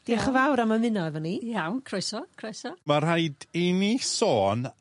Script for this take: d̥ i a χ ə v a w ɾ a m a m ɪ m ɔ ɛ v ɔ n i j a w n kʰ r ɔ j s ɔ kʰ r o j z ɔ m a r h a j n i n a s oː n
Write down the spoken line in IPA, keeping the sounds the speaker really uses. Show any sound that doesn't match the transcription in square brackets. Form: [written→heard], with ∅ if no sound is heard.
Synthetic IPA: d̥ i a χ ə v a w ɾ a m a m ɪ [m→n] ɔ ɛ v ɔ n i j a w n kʰ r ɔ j s ɔ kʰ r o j [z→s] ɔ m a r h a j [n→d] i n [a→i] s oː n